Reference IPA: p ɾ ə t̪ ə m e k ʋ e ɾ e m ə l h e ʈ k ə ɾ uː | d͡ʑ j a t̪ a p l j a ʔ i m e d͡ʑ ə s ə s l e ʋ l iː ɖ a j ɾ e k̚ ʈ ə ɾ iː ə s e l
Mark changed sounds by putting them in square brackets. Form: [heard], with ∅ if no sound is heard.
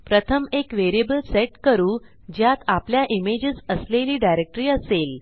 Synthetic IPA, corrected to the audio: p ɾ ə [t̪ʰ] ə m e k ʋ e ɾ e [b] ə l [s] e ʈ k ə ɾ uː | d͡ʑ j a t̪ a p l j a ʔ i m e d͡ʑ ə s ə s l e [∅] l iː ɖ a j ɾ e k̚ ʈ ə ɾ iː ə s e l